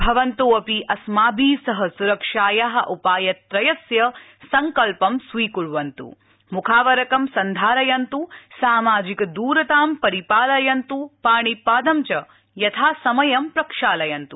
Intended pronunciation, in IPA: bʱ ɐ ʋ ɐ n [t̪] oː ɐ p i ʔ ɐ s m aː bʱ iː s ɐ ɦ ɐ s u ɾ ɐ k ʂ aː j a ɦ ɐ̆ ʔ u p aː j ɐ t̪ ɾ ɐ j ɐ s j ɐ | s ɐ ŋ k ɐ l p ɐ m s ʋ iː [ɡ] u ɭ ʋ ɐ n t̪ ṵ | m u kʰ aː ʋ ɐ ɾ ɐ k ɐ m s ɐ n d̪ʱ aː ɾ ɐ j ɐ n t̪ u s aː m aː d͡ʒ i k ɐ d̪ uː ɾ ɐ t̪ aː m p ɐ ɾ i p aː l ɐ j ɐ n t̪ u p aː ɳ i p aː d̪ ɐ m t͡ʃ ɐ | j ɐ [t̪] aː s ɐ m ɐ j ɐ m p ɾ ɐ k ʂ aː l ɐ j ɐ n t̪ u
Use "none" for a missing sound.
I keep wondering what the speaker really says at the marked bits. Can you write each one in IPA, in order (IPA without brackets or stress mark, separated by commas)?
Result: t̪, k, t̪ʰ